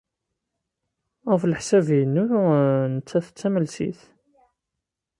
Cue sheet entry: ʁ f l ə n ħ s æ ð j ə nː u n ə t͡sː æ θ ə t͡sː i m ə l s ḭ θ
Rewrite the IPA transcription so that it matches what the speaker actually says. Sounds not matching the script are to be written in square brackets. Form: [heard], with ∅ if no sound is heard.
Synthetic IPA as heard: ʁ f l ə [∅] ħ s æ [v] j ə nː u n ə t͡sː æ θ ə t͡sː [æ] m ə l s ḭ θ